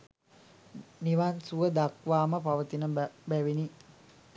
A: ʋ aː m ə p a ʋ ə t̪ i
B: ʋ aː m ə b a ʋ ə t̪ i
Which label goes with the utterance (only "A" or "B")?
A